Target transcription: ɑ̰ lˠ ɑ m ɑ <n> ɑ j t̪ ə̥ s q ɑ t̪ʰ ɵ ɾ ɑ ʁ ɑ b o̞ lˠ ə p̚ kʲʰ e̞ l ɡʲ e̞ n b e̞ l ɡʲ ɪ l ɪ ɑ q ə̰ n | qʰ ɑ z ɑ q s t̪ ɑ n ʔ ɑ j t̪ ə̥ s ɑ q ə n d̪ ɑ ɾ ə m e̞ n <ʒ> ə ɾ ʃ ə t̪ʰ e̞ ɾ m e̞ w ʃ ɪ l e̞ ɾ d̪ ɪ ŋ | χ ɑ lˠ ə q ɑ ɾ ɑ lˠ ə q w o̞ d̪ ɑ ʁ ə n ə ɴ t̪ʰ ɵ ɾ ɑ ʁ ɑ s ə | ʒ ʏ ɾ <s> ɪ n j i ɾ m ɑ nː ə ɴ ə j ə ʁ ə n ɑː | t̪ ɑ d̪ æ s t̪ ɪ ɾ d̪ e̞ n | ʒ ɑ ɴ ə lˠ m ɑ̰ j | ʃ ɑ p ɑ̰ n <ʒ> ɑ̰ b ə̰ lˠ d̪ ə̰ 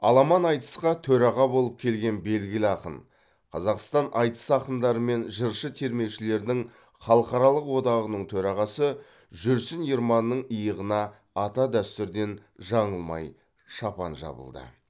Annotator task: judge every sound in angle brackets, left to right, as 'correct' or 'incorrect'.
correct, correct, correct, correct

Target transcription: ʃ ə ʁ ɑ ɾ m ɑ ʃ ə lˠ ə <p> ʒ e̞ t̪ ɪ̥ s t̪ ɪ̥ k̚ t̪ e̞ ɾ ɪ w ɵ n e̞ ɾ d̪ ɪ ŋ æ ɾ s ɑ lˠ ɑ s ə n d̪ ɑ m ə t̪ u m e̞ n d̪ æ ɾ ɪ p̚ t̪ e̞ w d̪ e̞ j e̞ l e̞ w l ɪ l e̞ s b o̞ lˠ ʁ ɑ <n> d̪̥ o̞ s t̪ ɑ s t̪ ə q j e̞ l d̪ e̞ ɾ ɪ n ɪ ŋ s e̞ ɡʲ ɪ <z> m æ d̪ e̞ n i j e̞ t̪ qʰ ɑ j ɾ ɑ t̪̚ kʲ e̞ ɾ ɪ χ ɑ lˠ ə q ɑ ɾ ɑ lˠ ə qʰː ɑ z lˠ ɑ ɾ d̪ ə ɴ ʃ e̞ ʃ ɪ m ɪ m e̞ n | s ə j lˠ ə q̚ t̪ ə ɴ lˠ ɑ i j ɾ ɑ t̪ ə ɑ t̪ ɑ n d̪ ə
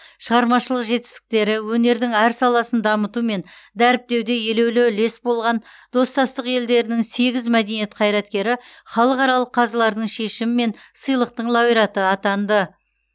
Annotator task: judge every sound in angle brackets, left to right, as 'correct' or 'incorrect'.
incorrect: q, correct, correct

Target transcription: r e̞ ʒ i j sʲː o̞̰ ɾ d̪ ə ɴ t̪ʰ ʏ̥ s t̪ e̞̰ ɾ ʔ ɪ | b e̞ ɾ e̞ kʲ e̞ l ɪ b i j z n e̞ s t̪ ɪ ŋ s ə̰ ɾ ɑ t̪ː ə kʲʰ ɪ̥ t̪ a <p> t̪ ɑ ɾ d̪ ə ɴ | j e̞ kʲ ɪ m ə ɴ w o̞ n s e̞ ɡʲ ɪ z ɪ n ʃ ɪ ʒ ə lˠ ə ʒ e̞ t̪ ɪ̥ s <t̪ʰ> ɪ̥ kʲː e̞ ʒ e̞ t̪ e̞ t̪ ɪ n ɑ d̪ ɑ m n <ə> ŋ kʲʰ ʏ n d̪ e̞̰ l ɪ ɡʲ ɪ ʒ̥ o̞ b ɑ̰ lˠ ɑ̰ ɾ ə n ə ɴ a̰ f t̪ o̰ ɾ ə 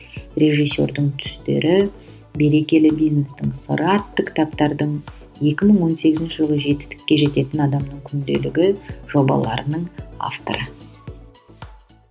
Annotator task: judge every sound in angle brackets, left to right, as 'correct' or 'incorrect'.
correct, incorrect: t̪, correct

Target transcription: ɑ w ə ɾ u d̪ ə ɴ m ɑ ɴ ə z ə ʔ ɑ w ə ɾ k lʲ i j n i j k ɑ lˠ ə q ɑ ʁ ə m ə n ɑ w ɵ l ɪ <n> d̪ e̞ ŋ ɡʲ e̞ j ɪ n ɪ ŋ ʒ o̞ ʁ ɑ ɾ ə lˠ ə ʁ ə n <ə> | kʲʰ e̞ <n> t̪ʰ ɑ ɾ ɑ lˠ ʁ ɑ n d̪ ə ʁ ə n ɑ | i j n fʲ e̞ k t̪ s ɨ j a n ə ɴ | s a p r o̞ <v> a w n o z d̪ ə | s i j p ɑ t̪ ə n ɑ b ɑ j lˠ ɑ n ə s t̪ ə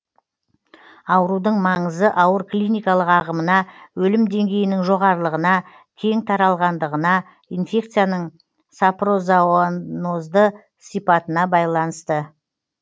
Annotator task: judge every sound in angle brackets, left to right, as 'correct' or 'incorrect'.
incorrect: m, incorrect: ɑ, incorrect: ŋ, incorrect: z

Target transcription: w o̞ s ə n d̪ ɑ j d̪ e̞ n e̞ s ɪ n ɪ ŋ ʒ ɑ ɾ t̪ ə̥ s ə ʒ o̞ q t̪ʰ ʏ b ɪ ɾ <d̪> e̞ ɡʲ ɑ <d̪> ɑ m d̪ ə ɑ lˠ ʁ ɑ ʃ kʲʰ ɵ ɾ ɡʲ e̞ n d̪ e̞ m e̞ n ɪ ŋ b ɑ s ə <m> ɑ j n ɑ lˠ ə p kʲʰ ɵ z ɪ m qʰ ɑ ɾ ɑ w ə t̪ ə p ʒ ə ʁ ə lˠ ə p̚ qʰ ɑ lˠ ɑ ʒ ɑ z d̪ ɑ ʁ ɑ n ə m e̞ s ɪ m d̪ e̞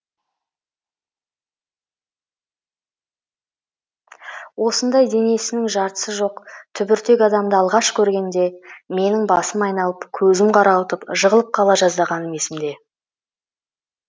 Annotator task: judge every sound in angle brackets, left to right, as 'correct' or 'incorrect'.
incorrect: t̪, correct, correct

